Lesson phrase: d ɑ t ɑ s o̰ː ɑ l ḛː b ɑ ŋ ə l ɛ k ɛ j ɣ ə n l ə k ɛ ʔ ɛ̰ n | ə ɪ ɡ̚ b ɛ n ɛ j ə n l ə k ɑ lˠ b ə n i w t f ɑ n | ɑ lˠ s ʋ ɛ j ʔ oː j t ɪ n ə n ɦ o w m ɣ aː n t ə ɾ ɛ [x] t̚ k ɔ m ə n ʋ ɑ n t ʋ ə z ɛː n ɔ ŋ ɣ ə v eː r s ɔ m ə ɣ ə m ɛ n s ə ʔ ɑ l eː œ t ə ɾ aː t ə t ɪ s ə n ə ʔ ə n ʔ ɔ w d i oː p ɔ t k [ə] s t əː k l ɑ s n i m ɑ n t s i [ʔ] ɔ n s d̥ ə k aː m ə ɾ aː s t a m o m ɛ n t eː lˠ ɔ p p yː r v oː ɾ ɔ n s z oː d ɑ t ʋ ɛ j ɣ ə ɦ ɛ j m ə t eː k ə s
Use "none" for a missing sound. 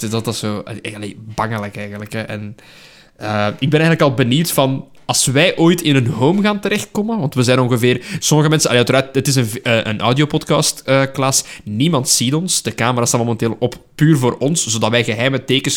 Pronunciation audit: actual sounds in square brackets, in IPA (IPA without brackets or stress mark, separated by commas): x, ɑ, t